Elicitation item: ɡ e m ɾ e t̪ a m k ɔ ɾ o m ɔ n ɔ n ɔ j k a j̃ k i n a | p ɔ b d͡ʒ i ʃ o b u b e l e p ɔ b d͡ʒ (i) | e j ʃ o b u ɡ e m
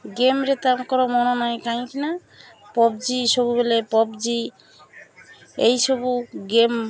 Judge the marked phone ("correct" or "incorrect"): correct